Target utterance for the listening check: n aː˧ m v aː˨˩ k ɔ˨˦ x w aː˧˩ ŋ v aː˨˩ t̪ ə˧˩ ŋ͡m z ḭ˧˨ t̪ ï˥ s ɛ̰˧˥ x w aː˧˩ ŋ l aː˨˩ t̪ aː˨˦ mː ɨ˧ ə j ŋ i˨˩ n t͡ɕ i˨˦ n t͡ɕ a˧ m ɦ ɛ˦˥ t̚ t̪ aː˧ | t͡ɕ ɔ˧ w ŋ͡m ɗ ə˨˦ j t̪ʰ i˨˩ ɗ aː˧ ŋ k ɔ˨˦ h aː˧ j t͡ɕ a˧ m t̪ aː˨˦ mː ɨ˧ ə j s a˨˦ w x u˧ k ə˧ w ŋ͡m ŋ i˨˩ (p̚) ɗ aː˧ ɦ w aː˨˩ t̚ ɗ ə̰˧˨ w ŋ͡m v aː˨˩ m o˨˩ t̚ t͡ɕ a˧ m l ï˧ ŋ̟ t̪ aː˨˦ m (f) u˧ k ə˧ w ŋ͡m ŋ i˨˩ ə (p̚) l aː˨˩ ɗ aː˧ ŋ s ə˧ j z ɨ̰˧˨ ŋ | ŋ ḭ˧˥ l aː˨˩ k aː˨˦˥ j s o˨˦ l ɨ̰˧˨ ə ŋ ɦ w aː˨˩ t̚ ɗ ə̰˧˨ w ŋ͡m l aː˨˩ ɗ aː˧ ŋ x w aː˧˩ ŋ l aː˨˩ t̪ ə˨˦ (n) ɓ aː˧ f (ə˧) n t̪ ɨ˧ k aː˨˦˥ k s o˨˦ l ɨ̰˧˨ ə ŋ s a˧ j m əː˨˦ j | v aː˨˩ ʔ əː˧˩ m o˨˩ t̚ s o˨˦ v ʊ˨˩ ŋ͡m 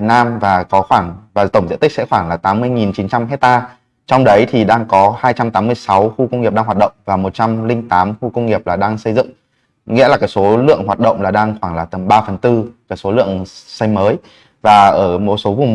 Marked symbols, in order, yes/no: yes, no, yes, no, no

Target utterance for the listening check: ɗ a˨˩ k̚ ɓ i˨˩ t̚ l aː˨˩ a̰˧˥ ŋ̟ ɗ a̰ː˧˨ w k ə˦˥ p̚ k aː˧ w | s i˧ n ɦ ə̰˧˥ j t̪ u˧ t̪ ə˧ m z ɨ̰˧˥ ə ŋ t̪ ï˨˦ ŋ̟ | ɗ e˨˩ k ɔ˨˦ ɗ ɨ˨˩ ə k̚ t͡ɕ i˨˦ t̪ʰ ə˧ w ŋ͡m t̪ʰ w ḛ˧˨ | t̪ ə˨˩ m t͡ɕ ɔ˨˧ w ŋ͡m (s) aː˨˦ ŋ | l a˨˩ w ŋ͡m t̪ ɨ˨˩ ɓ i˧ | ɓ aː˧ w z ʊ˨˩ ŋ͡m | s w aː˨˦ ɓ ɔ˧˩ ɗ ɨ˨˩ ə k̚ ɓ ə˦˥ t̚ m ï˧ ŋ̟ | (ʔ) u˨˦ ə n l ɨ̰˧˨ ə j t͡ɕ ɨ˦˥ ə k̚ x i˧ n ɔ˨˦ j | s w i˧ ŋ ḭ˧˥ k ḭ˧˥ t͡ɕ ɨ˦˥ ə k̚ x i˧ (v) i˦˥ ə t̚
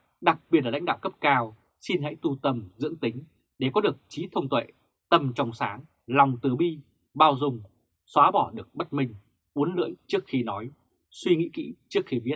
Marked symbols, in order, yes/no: yes, yes, yes

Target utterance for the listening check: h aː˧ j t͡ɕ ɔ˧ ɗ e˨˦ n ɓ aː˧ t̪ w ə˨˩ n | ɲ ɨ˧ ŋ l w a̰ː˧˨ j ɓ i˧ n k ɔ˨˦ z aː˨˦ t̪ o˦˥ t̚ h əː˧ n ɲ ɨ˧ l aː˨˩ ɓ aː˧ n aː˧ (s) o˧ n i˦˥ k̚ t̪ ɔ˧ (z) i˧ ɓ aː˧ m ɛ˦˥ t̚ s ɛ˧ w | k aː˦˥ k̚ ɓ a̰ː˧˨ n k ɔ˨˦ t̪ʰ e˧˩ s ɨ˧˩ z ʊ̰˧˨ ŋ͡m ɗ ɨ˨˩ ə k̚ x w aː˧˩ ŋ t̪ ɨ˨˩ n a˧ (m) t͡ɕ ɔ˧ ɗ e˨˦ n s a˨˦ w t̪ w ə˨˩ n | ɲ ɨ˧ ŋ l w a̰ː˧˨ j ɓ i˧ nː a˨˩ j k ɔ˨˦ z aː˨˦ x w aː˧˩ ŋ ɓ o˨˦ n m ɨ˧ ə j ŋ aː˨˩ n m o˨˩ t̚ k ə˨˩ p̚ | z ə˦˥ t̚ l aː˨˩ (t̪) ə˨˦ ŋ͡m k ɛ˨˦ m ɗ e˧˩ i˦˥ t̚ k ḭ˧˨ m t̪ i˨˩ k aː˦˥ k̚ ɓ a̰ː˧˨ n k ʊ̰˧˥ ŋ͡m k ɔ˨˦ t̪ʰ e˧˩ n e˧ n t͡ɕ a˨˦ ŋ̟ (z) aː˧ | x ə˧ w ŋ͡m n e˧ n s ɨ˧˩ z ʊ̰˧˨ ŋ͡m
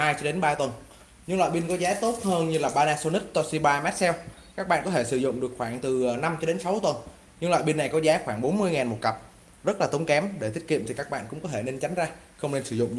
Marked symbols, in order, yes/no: yes, no, yes, yes, yes

